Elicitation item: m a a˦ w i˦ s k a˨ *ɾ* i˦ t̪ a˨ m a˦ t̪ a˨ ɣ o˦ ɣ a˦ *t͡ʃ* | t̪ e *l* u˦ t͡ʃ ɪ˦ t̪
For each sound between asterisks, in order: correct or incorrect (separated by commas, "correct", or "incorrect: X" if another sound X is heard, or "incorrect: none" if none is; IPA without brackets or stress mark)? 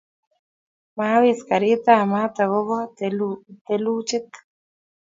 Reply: correct, incorrect: none, correct